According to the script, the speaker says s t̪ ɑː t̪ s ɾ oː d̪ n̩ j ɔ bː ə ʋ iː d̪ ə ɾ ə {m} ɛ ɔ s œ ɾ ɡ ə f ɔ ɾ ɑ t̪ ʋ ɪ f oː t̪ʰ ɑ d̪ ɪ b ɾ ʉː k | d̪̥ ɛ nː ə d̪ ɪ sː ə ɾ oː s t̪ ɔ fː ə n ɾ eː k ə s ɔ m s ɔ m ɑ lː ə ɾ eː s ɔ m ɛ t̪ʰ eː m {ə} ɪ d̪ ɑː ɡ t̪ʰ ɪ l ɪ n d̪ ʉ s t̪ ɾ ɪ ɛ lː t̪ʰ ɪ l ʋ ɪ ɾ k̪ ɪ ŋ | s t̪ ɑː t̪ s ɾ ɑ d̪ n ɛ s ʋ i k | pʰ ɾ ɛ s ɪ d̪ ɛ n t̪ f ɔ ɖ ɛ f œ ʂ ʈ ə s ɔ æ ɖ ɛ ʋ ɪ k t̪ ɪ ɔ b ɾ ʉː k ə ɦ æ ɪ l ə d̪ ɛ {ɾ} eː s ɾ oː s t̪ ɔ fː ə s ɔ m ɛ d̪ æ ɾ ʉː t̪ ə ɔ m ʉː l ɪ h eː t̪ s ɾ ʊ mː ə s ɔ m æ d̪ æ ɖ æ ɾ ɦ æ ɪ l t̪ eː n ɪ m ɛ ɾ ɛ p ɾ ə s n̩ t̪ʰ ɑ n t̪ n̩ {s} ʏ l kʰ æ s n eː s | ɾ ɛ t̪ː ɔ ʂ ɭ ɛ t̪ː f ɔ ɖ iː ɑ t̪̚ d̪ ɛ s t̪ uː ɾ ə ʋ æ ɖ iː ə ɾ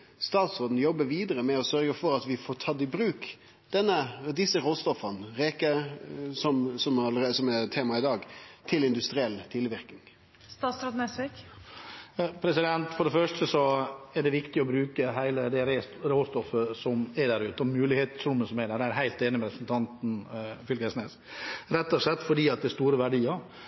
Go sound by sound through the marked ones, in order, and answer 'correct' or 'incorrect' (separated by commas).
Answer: correct, incorrect, correct, incorrect